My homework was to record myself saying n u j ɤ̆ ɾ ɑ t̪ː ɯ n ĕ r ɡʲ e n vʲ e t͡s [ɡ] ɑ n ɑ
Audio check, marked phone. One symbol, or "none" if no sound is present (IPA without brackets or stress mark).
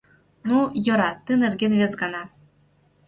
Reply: ɡ